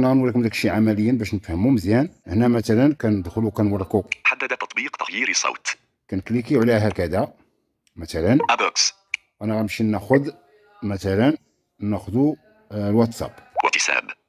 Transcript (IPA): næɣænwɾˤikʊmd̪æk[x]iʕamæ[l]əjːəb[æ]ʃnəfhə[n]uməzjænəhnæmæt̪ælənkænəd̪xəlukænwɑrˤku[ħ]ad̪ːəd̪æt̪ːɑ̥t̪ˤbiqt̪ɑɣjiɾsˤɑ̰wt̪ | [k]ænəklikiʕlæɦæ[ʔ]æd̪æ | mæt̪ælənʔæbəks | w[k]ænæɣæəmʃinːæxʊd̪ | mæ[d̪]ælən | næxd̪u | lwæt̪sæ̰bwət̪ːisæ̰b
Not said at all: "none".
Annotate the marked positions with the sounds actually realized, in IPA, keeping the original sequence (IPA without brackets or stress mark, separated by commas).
ʃ, l, æ, m, ħ, k, k, ʔ, t̪